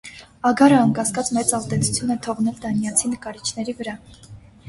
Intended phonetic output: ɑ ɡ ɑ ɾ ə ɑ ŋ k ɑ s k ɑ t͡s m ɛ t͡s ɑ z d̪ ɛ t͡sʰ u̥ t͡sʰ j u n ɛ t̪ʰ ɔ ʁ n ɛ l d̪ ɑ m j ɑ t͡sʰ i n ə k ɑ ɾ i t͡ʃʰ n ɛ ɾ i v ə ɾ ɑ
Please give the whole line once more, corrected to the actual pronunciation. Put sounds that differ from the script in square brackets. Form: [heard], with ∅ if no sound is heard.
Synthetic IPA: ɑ ɡ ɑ ɾ ə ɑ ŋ k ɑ s k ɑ t͡s m ɛ t͡s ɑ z d̪ ɛ t͡sʰ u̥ t͡sʰ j u n ɛ t̪ʰ ɔ ʁ n ɛ l d̪ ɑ [n] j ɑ t͡sʰ i n ə k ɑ ɾ i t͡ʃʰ n ɛ ɾ i v ə ɾ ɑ